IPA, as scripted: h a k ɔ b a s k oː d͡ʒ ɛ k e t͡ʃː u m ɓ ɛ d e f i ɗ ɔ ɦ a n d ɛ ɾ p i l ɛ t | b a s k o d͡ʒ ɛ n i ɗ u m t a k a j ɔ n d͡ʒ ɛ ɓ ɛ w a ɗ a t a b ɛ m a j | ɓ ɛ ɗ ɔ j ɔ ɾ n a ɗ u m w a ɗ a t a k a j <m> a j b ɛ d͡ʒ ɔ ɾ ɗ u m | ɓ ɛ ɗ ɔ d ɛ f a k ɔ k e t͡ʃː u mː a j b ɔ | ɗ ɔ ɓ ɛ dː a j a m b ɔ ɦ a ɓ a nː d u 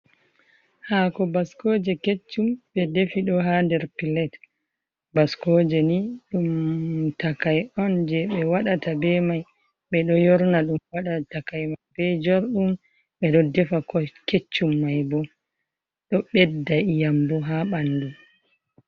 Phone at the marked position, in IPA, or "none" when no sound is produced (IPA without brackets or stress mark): m